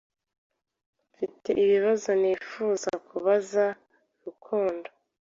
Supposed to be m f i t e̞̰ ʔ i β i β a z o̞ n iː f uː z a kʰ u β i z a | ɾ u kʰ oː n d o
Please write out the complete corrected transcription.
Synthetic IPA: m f i t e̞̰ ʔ i β i β a z o̞ n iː f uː z a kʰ u β a z a | ɾ u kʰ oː n d o